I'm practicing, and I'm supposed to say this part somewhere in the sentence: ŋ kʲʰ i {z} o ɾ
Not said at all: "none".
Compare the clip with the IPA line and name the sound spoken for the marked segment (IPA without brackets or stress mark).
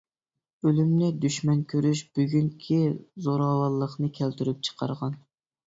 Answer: z